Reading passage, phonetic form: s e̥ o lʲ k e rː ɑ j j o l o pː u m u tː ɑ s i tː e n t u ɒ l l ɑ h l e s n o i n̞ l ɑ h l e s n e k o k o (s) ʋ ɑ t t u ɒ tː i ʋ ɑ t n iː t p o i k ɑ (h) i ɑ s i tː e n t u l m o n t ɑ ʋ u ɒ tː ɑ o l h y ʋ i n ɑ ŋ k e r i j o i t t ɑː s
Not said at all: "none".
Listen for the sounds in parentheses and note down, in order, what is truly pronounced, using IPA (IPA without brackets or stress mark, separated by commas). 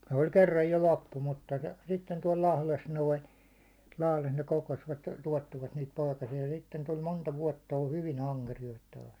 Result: s, s